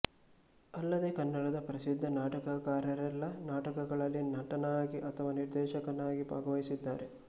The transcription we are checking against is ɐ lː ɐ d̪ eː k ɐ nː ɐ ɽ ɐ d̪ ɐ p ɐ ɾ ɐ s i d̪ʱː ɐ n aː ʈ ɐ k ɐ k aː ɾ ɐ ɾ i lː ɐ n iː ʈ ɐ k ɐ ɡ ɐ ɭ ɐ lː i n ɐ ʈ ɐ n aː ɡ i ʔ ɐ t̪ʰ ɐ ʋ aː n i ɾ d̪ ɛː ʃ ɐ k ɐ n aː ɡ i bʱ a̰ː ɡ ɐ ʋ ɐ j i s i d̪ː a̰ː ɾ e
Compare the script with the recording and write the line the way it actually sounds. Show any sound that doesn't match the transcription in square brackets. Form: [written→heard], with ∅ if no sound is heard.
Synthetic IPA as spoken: ɐ lː ɐ d̪ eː k ɐ nː ɐ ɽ ɐ d̪ ɐ p ɐ ɾ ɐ s i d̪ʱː ɐ n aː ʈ ɐ k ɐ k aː ɾ ɐ ɾ [i→ɛ] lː ɐ n [iː→aː] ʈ ɐ k ɐ ɡ ɐ ɭ ɐ lː i n ɐ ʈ ɐ n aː ɡ i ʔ ɐ t̪ʰ ɐ ʋ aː n i ɾ d̪ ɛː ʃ ɐ k ɐ n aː ɡ i bʱ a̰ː ɡ ɐ ʋ ɐ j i s i d̪ː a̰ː ɾ e